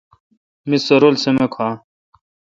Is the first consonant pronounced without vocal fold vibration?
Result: no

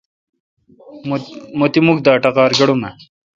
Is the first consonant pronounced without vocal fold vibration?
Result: no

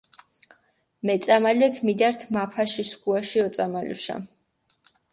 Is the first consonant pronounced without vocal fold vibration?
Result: no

